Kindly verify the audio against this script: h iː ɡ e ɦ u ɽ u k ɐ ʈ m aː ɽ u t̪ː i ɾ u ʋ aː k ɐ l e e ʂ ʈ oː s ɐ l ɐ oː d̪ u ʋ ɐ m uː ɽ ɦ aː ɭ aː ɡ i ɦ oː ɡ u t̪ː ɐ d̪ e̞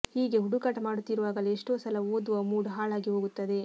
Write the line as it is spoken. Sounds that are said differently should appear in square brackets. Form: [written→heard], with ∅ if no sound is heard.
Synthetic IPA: h iː ɡ e ɦ u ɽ u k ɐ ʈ m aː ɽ u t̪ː i ɾ u ʋ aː [k→ɡ] ɐ l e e ʂ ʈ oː s ɐ l ɐ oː d̪ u ʋ ɐ m uː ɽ ɦ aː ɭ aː ɡ i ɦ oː ɡ u t̪ː ɐ d̪ e̞